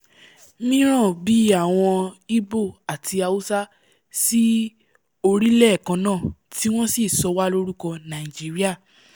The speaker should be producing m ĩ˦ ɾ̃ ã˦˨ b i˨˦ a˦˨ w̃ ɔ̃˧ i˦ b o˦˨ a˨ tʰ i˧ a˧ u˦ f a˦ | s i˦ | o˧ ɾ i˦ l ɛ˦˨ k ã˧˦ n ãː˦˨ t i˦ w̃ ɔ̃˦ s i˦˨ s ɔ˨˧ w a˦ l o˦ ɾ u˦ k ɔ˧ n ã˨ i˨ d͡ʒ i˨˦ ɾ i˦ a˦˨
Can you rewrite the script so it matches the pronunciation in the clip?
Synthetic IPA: m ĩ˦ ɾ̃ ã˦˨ b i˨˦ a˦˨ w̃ ɔ̃˧ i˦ b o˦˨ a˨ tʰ i˧ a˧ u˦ s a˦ | s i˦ | o˧ ɾ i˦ l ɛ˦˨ k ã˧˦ n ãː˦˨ t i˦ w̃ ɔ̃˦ s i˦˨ s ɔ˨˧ w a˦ l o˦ ɾ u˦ k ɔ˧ n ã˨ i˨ d͡ʒ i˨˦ ɾ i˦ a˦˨